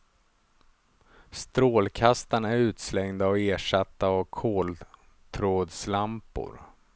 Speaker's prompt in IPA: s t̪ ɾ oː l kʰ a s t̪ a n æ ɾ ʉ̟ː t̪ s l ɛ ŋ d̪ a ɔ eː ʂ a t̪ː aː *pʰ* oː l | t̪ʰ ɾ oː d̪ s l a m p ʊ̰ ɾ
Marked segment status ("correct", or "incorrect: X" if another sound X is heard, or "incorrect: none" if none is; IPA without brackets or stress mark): incorrect: kʰ